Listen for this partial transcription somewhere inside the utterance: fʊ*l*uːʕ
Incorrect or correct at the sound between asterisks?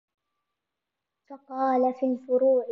incorrect: ɾ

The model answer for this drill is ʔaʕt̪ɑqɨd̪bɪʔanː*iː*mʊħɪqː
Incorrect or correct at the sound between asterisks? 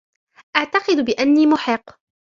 correct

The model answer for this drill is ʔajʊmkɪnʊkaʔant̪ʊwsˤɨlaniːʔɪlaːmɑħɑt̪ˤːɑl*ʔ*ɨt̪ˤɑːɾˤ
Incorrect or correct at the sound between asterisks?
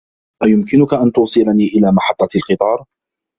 incorrect: q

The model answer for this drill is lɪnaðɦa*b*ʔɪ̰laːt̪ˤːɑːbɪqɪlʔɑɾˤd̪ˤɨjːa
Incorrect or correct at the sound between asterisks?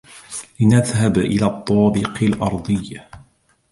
correct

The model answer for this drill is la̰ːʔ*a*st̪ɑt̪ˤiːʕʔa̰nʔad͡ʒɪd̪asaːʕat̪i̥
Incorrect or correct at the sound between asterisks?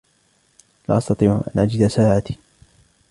incorrect: ɑ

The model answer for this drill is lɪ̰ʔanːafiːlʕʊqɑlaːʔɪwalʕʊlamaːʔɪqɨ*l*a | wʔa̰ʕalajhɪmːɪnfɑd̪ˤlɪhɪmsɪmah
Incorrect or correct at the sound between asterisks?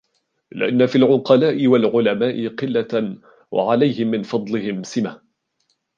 incorrect: lː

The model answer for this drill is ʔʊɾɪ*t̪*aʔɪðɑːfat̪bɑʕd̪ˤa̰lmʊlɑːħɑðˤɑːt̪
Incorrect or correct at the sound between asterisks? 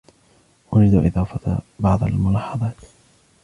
incorrect: d̪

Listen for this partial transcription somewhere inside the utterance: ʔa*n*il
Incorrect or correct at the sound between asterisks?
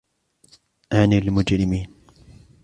correct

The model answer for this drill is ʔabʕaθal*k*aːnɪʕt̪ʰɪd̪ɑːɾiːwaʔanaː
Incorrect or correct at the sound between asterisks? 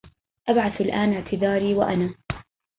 incorrect: ʔ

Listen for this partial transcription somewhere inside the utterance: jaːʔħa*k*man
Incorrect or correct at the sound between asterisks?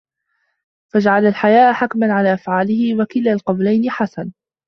correct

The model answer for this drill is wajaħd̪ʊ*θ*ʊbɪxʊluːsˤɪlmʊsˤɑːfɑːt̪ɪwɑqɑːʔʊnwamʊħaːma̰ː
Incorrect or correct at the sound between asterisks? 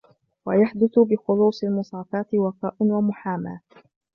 correct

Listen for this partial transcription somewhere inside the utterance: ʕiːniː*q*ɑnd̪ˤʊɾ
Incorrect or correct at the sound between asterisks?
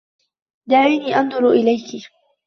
incorrect: ʔ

